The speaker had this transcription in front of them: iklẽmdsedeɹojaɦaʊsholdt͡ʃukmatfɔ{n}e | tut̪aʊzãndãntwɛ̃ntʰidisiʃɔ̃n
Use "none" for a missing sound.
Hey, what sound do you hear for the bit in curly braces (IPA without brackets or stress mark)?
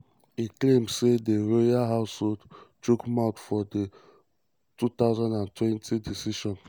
d